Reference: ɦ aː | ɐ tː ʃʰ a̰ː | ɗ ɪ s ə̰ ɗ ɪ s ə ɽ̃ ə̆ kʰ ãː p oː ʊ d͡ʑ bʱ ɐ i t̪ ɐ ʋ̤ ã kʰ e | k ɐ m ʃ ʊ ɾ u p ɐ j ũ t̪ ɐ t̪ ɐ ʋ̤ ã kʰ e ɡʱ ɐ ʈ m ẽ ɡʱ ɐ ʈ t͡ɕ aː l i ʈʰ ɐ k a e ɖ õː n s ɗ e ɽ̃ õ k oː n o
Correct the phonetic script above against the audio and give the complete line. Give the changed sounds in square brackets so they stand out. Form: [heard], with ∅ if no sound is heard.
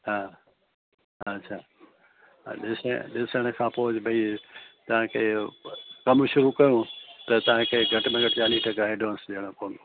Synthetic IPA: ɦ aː | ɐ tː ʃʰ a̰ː | ɗ ɪ s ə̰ ɗ ɪ s ə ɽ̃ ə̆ kʰ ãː p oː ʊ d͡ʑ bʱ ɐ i t̪ ɐ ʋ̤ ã kʰ e | k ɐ m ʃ ʊ ɾ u [k] ɐ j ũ t̪ ɐ t̪ ɐ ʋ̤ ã kʰ e ɡʱ ɐ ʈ m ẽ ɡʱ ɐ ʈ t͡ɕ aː l i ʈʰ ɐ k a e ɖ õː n s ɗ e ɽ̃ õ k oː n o

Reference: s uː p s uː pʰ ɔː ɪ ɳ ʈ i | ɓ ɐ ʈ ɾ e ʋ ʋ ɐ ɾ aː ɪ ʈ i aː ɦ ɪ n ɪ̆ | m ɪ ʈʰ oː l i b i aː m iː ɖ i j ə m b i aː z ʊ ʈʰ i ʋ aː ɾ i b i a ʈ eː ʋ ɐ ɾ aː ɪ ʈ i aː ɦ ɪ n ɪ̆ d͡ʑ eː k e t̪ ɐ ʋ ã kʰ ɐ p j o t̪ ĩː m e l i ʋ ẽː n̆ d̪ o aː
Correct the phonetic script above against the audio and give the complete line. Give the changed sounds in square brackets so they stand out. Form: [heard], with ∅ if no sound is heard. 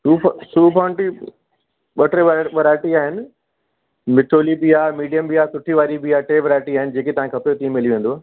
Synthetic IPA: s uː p s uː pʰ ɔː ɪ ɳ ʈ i | ɓ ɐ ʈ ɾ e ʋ ʋ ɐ ɾ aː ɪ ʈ i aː ɦ ɪ n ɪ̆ | m ɪ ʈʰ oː l i b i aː m iː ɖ i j ə m b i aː [s] ʊ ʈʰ i ʋ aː ɾ i b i a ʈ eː ʋ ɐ ɾ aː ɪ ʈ i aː ɦ ɪ n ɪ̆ d͡ʑ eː k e t̪ ɐ ʋ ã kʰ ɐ p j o t̪ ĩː m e l i ʋ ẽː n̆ d̪ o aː

